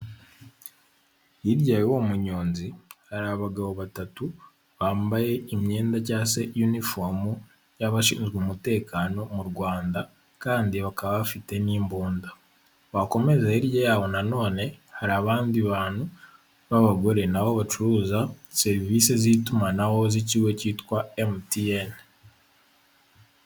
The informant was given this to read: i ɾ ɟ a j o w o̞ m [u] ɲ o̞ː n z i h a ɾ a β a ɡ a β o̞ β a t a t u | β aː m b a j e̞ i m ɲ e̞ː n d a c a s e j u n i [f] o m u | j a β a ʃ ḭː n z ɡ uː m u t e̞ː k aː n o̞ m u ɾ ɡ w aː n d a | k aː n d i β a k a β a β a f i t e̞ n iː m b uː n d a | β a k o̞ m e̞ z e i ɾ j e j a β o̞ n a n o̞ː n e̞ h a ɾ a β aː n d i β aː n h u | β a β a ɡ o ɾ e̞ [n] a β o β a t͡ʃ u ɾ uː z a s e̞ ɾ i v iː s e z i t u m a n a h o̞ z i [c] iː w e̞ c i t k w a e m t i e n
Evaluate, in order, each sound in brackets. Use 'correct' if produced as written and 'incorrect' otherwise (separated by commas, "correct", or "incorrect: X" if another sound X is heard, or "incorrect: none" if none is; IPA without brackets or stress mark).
correct, correct, correct, correct